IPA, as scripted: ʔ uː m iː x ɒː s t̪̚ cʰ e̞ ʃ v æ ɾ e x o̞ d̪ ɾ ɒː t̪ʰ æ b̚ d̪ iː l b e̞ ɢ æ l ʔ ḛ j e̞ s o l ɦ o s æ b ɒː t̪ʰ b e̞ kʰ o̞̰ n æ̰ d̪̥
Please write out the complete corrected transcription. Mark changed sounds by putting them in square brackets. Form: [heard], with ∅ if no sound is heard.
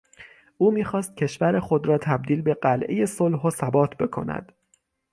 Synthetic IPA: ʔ uː m iː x ɒː s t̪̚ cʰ e̞ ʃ v æ ɾ e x o̞ d̪ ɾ ɒː t̪ʰ æ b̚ d̪ iː l b e̞ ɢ æ l ʔ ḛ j e̞ s o l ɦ o s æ b ɒː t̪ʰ b e̞ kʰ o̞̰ n æ̰ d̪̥